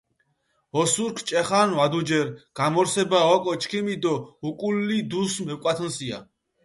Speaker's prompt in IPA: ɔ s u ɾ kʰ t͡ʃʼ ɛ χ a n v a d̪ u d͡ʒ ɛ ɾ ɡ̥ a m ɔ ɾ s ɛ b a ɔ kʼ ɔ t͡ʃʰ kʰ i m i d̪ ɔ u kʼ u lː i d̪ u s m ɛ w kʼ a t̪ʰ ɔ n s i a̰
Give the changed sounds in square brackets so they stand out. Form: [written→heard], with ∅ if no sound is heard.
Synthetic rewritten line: ɔ s u ɾ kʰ t͡ʃʼ ɛ χ a n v a d̪ u d͡ʒ ɛ ɾ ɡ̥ a m ɔ ɾ s ɛ b a ɔ kʼ ɔ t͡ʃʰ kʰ i m i d̪ ɔ u kʼ u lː i d̪ u s m ɛ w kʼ a t̪ʰ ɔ n s i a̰

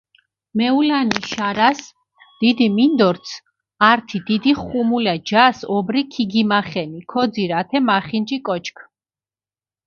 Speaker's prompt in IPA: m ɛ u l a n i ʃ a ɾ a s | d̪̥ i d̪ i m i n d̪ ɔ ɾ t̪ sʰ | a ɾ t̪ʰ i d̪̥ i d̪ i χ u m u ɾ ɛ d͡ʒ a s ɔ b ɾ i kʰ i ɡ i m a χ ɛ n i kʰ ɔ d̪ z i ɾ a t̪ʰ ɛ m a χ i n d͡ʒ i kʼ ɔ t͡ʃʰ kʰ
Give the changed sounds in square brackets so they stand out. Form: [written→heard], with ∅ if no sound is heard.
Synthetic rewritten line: m ɛ u l a n i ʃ a ɾ a s | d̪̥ i d̪ i m i n d̪ ɔ ɾ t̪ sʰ | a ɾ t̪ʰ i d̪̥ i d̪ i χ u m u [ɾ→l] ɛ d͡ʒ a s ɔ b ɾ i kʰ i ɡ i m a χ ɛ n i kʰ ɔ d̪ z i ɾ a t̪ʰ ɛ m a χ i n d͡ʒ i kʼ ɔ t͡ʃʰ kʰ

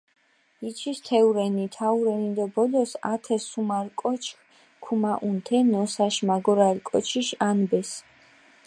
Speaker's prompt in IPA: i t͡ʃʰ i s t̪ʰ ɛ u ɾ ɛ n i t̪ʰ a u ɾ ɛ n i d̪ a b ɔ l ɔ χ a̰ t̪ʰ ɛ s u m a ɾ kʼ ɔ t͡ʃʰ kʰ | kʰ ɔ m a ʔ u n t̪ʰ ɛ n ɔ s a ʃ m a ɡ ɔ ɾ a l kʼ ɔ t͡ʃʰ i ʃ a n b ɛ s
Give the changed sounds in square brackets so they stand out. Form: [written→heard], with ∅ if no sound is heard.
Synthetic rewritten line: i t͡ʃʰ i s t̪ʰ ɛ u ɾ ɛ n i t̪ʰ a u ɾ ɛ n i d̪ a b ɔ l ɔ [χ→s] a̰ t̪ʰ ɛ s u m a ɾ kʼ ɔ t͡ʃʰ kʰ | kʰ [ɔ→u] m a ʔ u n t̪ʰ ɛ n ɔ s a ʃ m a ɡ ɔ ɾ a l kʼ ɔ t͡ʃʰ i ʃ a n b ɛ s

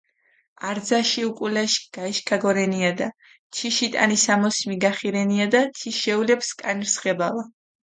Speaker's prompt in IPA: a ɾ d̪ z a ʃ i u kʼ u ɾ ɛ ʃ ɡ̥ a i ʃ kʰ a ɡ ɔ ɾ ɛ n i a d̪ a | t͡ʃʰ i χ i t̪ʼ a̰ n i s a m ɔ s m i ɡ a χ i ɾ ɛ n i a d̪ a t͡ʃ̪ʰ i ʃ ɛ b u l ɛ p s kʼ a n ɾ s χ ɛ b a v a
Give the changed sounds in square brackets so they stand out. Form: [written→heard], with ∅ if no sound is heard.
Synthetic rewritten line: a ɾ d̪ z a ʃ i u kʼ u [ɾ→l] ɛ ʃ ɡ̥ a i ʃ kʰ a ɡ ɔ ɾ ɛ n i a d̪ a | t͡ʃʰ i [χ→ʃ] i t̪ʼ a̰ n i s a m ɔ s m i ɡ a χ i ɾ ɛ n i a d̪ a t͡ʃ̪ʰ i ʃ ɛ [b→∅] u l ɛ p s kʼ a n ɾ s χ ɛ b a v a

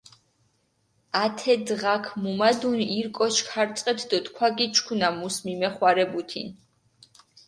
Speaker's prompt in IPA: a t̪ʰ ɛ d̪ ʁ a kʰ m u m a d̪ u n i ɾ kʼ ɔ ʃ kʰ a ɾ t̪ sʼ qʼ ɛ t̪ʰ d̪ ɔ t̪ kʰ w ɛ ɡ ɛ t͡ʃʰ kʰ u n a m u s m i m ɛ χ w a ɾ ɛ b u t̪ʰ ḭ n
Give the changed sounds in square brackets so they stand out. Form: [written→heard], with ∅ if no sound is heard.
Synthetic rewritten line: a t̪ʰ ɛ d̪ ʁ a kʰ m u m a d̪ u n i ɾ kʼ ɔ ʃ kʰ a ɾ t̪ sʼ qʼ ɛ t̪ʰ d̪ ɔ t̪ kʰ w [ɛ→a] ɡ [ɛ→i] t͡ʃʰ kʰ u n a m u s m i m ɛ χ w a ɾ ɛ b u t̪ʰ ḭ n

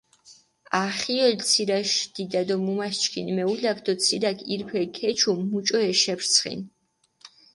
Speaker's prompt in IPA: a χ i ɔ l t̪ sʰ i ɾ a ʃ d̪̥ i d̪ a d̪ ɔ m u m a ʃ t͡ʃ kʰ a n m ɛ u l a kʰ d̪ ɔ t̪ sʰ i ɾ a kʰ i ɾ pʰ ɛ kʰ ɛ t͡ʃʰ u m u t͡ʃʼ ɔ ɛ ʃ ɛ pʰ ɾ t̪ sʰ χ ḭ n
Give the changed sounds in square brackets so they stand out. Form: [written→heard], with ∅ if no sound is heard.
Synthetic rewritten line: a χ i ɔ l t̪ sʰ i ɾ a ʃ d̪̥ i d̪ a d̪ ɔ m u m a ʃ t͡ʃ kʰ [a→i] n m ɛ u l a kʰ d̪ ɔ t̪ sʰ i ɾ a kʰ i ɾ pʰ ɛ kʰ ɛ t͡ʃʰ u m u t͡ʃʼ ɔ ɛ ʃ ɛ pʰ ɾ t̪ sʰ χ ḭ n

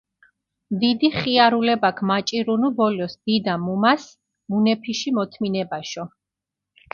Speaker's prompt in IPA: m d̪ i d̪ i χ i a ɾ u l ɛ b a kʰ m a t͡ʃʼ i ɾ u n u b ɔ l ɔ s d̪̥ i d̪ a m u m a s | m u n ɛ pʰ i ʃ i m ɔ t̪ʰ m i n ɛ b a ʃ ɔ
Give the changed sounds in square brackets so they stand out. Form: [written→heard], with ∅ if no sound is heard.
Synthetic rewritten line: m d̪ i d̪ i χ i a ɾ u l ɛ b a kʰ m a t͡ʃʼ i ɾ u n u b ɔ l ɔ s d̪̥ i d̪ a m u m a s | m u n ɛ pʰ i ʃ i m ɔ t̪ʰ m i n ɛ b a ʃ ɔ

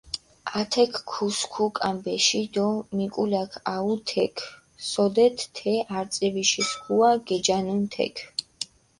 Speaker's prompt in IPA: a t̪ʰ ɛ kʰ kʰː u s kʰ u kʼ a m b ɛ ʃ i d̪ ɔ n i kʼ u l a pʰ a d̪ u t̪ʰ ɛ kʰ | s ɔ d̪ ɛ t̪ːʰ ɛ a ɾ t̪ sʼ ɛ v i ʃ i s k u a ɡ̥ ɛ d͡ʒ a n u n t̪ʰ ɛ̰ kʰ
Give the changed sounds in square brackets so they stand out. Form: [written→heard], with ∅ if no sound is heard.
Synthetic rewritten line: a t̪ʰ ɛ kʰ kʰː u s kʰ u kʼ a m b ɛ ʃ i d̪ ɔ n i kʼ u l a [pʰ→kʰ] a [d̪→∅] u t̪ʰ ɛ kʰ | s ɔ d̪ ɛ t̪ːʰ ɛ a ɾ t̪ sʼ ɛ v i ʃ i s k u a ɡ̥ ɛ d͡ʒ a n u n t̪ʰ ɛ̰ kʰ

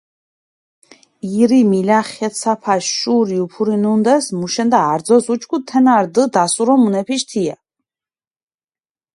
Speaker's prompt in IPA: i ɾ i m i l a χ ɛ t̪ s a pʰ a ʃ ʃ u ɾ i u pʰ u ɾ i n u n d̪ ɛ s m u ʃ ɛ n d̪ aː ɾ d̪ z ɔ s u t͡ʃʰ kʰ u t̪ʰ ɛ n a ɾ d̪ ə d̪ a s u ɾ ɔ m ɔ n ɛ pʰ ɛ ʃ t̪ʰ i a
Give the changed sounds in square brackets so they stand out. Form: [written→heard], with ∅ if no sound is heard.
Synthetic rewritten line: i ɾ i m i l a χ ɛ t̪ s a pʰ a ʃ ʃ u ɾ i u pʰ u ɾ i n u n d̪ ɛ s m u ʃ ɛ n d̪ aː ɾ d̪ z ɔ s u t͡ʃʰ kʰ u t̪ʰ ɛ n a ɾ d̪ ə d̪ a s u ɾ ɔ m [ɔ→u] n ɛ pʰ [ɛ→i] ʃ t̪ʰ i a

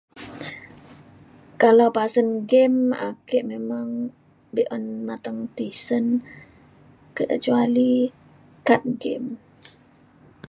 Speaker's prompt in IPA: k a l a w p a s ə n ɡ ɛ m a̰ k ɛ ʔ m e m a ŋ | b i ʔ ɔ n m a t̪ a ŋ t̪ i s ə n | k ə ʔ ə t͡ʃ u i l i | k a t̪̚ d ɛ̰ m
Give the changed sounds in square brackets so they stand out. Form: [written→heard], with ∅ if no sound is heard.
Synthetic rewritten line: k a l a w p a s ə n ɡ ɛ m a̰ k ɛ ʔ m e m a ŋ | b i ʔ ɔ n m a t̪ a ŋ t̪ i s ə n | k ə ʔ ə t͡ʃ u [i→a] l i | k a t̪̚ [d→ɡ] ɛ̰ m

